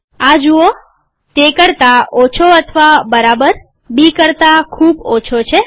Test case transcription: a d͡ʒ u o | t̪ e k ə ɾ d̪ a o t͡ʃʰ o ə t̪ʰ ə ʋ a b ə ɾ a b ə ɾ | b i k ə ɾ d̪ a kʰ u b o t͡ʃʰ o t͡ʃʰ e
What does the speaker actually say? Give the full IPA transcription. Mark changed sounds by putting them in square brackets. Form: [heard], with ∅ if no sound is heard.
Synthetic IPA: a d͡ʒ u o | t̪ e k ə ɾ [t̪] a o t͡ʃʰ o ə t̪ʰ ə ʋ a b ə ɾ a b ə ɾ | b i k ə ɾ [t̪] a kʰ u b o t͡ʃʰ o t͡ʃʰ e